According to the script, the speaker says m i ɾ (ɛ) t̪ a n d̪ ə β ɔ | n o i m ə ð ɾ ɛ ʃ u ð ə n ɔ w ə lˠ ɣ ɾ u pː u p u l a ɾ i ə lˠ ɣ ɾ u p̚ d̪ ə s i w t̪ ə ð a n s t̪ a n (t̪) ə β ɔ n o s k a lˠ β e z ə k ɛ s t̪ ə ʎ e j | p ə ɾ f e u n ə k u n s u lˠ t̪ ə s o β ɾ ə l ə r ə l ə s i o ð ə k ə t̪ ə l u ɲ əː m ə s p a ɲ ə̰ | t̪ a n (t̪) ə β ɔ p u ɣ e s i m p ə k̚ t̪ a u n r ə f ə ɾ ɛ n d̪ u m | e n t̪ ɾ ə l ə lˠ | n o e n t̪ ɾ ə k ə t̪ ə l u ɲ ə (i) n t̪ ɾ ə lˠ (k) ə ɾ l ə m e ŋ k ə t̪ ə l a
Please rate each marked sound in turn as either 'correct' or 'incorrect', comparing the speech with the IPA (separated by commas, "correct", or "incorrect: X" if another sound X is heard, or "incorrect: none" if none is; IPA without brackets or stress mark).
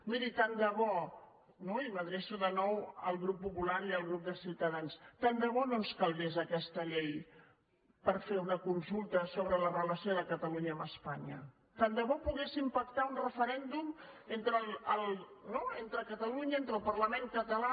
incorrect: i, incorrect: d̪, incorrect: d̪, incorrect: e, incorrect: p